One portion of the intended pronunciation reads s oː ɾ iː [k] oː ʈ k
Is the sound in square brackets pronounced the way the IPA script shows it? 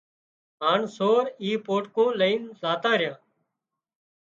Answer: no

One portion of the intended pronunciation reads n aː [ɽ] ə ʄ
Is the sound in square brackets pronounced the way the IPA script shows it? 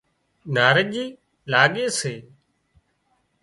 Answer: no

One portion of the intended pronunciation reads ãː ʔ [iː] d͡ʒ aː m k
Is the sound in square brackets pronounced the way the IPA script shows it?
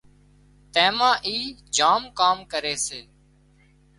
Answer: yes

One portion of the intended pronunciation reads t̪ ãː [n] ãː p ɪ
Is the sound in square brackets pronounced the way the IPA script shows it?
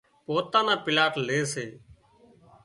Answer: yes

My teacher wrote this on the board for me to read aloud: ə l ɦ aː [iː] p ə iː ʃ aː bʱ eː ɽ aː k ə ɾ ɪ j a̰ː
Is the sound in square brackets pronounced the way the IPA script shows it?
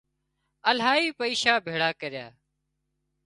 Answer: yes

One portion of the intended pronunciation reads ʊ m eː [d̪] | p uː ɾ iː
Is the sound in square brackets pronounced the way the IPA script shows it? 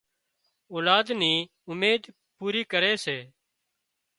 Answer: yes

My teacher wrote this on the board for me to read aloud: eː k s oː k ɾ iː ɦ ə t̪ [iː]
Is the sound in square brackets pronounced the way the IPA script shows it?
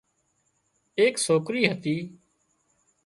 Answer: yes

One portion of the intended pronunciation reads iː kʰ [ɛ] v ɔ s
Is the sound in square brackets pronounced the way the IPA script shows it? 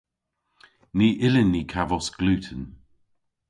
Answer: no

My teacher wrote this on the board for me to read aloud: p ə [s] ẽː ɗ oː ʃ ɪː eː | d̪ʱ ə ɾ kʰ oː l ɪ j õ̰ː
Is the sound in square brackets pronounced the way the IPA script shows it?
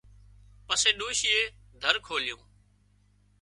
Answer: yes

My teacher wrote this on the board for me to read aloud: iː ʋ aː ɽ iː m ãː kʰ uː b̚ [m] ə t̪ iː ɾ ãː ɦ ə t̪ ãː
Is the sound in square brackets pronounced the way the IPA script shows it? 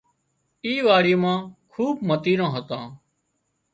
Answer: yes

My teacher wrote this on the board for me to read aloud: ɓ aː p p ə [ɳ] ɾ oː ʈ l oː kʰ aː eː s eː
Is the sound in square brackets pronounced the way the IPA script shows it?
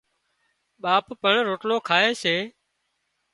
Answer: yes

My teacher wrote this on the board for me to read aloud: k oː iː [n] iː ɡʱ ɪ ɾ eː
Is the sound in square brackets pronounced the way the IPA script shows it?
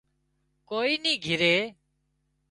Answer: yes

